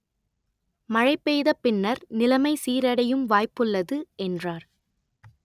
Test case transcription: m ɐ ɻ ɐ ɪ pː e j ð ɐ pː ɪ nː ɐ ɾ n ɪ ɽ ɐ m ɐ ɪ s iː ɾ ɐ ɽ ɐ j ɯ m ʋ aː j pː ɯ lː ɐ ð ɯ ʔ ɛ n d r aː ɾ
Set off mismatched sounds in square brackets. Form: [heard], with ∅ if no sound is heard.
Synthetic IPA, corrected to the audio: m ɐ ɻ ɐ ɪ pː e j ð ɐ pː ɪ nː ɐ ɾ n ɪ [l] ɐ m ɐ ɪ s iː ɾ ɐ ɽ ɐ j ɯ m ʋ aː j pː ɯ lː ɐ ð ɯ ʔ ɛ n d r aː ɾ